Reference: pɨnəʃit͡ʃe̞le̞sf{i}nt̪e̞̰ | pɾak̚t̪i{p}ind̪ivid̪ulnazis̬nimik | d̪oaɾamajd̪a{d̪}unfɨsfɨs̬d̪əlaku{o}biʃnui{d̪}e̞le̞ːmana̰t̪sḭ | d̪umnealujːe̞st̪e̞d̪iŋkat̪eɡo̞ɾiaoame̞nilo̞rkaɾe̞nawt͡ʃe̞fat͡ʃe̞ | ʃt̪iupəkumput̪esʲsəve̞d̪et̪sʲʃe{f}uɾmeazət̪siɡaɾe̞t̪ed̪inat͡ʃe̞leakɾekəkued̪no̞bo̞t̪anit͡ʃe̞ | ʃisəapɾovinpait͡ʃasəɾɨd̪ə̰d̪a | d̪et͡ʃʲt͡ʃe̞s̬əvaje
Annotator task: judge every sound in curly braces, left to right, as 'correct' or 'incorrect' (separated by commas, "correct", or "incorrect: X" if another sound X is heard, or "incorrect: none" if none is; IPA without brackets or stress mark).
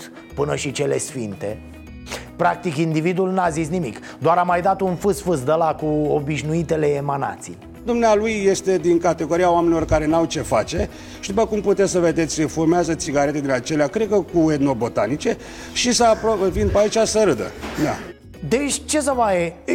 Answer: correct, incorrect: k, incorrect: t̪, correct, incorrect: t̪, correct